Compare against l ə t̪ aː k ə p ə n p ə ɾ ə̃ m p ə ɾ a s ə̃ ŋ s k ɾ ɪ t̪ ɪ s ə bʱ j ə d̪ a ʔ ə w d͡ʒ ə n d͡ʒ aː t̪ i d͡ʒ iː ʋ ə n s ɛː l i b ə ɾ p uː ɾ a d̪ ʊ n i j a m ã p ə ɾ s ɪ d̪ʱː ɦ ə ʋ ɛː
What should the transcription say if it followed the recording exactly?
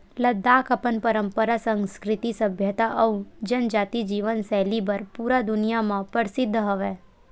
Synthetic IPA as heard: l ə d̪ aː k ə p ə n p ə ɾ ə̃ m p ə ɾ a s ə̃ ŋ s k ɾ ɪ t̪ i s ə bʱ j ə t̪ a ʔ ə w d͡ʒ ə n d͡ʒ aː t̪ i d͡ʒ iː ʋ ə n s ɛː l i b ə ɾ p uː ɾ a d̪ ʊ n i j a m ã p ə ɾ s ɪ d̪ʱː ɦ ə ʋ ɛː